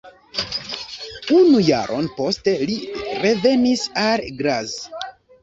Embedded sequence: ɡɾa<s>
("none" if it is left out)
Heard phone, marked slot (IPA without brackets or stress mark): z